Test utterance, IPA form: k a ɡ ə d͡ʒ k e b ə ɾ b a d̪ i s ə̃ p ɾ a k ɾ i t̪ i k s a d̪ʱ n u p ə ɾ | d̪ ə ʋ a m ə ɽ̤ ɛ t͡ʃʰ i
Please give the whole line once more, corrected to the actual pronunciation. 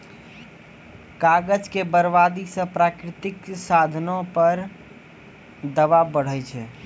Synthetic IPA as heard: k a ɡ ə d͡ʒ k e b ə ɾ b a d̪ i s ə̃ p ɾ a k ɾ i t̪ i k s a d̪ʱ n o p ə ɾ | d̪ ə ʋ a b ə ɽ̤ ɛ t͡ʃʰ ɛ